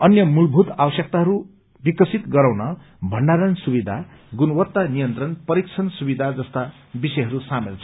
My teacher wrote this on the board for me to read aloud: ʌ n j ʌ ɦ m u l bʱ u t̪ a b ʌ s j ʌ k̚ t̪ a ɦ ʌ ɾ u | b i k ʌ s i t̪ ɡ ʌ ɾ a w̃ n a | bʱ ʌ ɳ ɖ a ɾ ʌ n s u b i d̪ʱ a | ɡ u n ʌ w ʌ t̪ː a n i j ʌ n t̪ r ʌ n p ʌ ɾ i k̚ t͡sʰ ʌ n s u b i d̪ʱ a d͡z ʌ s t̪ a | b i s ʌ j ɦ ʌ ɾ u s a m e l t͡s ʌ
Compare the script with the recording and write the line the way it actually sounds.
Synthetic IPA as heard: ʌ n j ʌ m u l bʱ u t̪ a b ʌ s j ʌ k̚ t̪ a ɦ ʌ ɾ u | b i k ʌ s i t̪ ɡ ʌ ɾ a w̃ n ʌ | bʱ ʌ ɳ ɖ a ɾ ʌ n s u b i d̪ʱ a | ɡ u n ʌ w ʌ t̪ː a n i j ʌ n t̪ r ʌ n p ʌ ɾ i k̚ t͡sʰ ʌ n s u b i d̪ʱ a d͡z ʌ s t̪ a | b i s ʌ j ɦ ʌ ɾ u s a m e l t͡sʰ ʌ